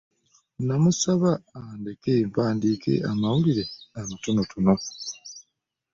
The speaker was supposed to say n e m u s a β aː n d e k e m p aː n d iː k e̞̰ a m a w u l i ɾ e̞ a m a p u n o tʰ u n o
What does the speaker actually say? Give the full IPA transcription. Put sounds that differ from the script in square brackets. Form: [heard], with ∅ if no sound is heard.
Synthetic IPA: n [a] m u s a β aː n d e k e m p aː n d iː k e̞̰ a m a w u l i ɾ e̞ a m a [t] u n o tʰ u n o

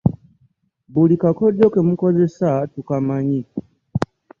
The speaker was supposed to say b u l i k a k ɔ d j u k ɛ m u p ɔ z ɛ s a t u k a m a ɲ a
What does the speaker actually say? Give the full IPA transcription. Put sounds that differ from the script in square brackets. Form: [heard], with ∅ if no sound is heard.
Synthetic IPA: b u l i k a k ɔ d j [ɔ] k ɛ m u [k] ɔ z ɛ s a t u k a m a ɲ [i]

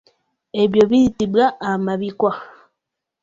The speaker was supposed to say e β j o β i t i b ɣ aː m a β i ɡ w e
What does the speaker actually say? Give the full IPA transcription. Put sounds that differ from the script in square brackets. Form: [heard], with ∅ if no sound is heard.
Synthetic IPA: e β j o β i t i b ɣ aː m a β i [k] w [a]

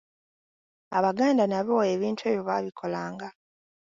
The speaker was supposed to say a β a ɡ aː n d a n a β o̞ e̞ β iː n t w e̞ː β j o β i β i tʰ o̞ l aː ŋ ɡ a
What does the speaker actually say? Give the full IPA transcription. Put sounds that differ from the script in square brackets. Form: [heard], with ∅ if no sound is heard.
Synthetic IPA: a β a ɡ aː n d a n a β o̞ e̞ β iː n t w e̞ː β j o β [a] β i [kʰ] o̞ l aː ŋ ɡ a

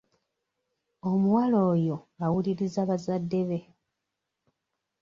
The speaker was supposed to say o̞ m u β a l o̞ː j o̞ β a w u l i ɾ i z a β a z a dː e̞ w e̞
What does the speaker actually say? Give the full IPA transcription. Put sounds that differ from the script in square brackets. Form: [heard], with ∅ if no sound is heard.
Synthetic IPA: o̞ m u [w] a l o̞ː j o̞ [∅] a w u l i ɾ i z a β a z a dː e̞ [β] e̞

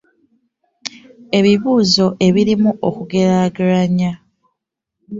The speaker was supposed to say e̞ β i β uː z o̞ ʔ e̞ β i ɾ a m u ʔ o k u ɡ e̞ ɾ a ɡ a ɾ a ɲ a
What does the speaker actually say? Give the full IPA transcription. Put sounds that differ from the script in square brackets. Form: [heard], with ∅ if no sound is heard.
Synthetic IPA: e̞ β i β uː z o̞ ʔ e̞ β i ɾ [i] m u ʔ o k u ɡ e̞ ɾ a ɡ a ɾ a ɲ a

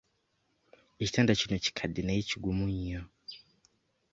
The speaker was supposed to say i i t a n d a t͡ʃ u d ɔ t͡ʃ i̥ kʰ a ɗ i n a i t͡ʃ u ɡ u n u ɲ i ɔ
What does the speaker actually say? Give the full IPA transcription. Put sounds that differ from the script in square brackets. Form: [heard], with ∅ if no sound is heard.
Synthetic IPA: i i t a n d a t͡ʃ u [n] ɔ t͡ʃ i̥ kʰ a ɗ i n a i t͡ʃ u ɡ u [m] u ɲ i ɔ

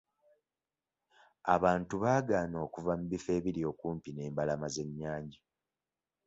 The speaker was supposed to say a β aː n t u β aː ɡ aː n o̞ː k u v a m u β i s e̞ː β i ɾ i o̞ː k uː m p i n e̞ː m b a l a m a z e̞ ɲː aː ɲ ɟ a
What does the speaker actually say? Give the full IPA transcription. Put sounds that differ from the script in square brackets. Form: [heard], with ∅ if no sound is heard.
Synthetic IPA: a β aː n t u β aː ɡ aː n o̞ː k u v a m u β i [f] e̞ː β i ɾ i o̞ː k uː m p i n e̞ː m b a l a m a z e̞ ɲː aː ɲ ɟ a

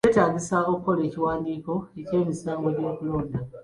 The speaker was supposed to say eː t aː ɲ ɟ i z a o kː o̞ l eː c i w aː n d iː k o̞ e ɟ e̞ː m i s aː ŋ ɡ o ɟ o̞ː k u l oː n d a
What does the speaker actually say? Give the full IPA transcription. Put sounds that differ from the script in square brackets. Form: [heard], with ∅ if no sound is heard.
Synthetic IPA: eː t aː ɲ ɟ i [s] a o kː o̞ l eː c i w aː n d iː k o̞ e [c] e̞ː m i s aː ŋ ɡ o ɟ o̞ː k u l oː n d a

